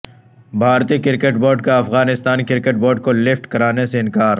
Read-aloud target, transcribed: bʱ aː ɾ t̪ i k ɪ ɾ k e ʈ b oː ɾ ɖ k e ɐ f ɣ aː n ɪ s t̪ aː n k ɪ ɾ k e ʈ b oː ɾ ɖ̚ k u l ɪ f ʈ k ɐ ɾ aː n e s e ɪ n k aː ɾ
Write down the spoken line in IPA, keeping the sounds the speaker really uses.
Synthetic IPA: bʱ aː ɾ t̪ i k ɪ ɾ k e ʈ b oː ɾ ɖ k a ɐ f ɣ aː n ɪ s t̪ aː n k ɪ ɾ k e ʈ b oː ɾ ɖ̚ k o l ɪ f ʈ k ɐ ɾ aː n e s e ɪ n k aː ɾ